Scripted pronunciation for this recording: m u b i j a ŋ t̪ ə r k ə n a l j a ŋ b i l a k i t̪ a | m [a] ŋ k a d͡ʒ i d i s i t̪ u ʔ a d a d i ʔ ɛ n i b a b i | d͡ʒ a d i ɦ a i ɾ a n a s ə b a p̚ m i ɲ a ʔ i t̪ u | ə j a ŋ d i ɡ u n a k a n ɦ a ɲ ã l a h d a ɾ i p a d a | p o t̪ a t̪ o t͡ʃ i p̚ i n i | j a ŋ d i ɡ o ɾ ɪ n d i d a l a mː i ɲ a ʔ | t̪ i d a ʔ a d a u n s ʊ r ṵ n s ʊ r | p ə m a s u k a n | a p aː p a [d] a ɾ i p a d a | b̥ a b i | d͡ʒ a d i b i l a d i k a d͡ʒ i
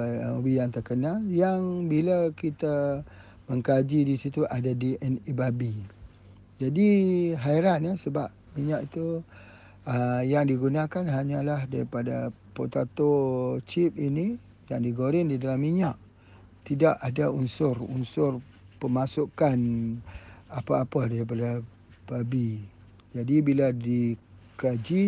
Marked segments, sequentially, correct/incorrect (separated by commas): incorrect, correct